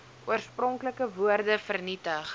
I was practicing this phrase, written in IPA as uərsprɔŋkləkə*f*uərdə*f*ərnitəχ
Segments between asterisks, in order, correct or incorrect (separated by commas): incorrect, correct